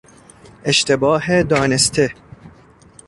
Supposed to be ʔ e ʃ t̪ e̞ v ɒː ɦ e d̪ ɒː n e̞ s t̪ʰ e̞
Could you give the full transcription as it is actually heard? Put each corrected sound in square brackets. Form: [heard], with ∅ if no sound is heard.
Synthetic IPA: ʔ e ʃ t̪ e̞ [b] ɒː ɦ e d̪ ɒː n e̞ s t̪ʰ e̞